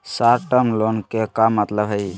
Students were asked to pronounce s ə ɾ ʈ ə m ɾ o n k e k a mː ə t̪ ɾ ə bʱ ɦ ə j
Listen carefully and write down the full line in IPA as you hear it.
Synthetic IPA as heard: s a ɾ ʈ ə m l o n k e k a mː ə t̪ l ə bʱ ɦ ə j